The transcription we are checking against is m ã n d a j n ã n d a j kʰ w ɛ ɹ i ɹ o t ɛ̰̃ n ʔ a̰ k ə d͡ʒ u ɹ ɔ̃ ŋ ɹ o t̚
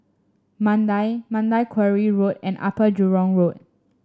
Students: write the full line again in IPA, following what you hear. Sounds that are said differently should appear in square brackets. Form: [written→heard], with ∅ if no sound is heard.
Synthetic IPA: m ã n d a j [n→m] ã n d a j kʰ w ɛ ɹ i ɹ o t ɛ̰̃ n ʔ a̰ [k→p] ə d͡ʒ u ɹ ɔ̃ ŋ ɹ o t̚